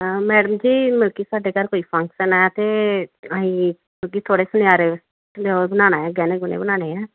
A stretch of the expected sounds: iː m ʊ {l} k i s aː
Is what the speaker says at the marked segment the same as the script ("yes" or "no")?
yes